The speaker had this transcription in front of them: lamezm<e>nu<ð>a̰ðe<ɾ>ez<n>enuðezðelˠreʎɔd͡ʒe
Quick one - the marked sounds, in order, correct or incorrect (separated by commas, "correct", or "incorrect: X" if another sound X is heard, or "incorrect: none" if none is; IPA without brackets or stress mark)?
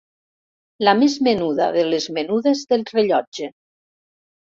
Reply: correct, correct, incorrect: l, incorrect: m